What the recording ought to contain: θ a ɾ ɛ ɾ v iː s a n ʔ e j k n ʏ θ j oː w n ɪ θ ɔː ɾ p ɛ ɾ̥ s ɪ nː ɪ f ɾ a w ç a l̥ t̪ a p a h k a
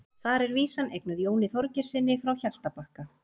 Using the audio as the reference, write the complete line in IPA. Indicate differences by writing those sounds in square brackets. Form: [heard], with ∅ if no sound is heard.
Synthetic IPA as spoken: θ a ɾ ɛ ɾ v iː s a n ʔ e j k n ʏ [ð] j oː w n ɪ θ [ɔ] ɾ [c] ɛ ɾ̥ s ɪ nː ɪ f ɾ a w ç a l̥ t̪ a p a h k a